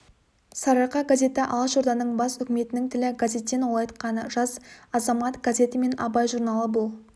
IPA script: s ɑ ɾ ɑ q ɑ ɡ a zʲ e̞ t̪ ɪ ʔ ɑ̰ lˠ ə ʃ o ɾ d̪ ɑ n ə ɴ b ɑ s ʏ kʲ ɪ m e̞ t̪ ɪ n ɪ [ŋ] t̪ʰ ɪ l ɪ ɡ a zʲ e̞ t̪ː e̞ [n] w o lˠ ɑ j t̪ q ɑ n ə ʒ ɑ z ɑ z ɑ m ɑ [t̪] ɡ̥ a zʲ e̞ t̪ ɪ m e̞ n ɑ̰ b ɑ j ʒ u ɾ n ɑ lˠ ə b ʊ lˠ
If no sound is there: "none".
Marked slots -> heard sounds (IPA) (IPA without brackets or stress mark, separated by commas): ŋ, n, t̪